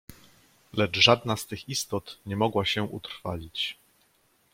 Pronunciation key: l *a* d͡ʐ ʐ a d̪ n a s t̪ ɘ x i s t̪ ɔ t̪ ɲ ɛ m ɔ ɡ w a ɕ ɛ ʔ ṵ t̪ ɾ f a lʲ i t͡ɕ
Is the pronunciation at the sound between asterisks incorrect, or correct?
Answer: incorrect